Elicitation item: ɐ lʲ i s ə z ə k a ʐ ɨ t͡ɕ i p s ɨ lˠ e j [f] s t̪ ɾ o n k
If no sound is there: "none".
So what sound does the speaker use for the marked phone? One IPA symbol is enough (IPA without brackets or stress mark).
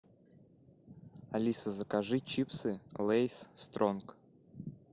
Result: s